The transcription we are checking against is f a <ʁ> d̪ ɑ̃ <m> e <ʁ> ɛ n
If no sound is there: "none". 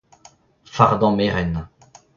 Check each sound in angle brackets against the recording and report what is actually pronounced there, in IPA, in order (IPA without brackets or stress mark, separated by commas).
ʁ, m, ʁ